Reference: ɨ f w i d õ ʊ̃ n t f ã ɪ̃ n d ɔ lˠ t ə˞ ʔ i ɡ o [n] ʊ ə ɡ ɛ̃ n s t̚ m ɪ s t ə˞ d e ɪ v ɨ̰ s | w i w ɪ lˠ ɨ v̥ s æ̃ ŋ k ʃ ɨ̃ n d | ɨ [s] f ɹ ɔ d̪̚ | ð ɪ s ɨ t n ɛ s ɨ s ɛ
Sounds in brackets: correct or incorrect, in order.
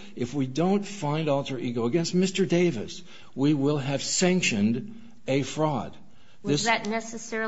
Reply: incorrect: none, incorrect: none

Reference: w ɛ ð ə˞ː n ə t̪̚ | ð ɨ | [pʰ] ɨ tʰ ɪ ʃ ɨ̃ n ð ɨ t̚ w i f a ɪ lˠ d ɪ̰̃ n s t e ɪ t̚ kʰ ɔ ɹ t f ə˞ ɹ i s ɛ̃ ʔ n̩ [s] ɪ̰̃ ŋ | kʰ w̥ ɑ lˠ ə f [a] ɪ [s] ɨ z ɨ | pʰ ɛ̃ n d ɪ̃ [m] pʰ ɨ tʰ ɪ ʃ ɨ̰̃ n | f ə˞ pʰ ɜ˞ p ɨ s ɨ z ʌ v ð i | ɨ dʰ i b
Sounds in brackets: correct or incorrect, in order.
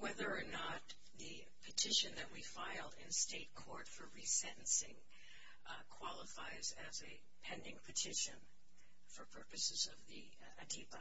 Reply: correct, correct, correct, incorrect: z, incorrect: ŋ

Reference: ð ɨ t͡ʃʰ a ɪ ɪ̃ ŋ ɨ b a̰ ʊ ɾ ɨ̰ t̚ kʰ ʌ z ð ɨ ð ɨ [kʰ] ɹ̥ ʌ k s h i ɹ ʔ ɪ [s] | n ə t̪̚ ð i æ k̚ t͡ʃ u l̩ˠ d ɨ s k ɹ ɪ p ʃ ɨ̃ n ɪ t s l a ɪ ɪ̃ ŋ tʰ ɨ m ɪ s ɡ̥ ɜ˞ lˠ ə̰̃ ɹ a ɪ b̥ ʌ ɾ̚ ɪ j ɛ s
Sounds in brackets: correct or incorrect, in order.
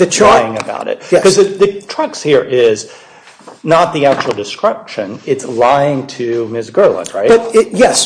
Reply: incorrect: tʰ, incorrect: z

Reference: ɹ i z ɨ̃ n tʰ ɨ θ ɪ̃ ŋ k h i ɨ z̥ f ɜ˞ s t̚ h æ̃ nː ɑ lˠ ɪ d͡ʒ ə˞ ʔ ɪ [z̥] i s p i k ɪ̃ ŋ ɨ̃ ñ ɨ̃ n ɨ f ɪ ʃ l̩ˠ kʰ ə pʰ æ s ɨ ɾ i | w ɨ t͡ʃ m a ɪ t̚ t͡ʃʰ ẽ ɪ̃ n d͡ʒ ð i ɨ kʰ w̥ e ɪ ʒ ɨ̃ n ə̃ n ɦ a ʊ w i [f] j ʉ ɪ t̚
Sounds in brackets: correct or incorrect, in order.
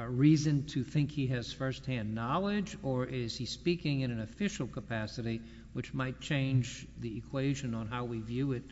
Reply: correct, incorrect: v

